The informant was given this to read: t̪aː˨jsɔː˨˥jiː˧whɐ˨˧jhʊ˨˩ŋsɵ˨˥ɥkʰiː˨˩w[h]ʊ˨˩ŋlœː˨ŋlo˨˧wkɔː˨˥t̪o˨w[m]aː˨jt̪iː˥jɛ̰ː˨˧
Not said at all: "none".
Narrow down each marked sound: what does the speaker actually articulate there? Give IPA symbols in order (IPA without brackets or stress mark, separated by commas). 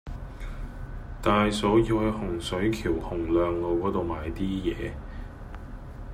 h, m